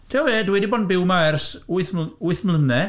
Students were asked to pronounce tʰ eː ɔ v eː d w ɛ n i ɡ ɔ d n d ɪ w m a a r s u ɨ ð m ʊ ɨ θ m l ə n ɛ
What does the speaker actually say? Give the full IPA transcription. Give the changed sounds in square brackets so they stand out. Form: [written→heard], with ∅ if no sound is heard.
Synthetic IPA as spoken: tʰ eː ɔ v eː d w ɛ [n→d] i [ɡ→b] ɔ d n [d→b] ɪ w m a [a→ɛ] r s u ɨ [ð→θ] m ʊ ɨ θ m l ə n ɛ